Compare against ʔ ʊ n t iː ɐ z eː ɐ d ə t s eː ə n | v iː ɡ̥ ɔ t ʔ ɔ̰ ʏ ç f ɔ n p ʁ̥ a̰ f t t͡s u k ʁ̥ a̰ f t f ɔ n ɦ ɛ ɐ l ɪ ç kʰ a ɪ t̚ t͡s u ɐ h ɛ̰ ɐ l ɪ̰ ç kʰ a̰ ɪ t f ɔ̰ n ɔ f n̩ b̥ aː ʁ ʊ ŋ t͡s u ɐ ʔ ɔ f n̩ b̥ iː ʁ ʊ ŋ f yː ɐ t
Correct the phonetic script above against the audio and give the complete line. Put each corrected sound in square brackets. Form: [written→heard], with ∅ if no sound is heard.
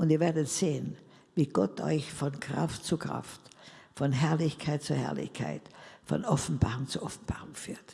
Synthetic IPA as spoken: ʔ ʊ n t iː ɐ [z→v] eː ɐ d ə t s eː ə n | v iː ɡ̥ ɔ t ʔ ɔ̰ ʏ ç f ɔ n [p→k] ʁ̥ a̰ f t t͡s u k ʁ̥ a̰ f t f ɔ n ɦ ɛ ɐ l ɪ ç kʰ a ɪ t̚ t͡s u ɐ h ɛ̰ ɐ l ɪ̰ ç kʰ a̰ ɪ t f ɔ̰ n ɔ f n̩ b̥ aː ʁ ʊ ŋ t͡s u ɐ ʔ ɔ f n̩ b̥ [iː→aː] ʁ ʊ ŋ f yː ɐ t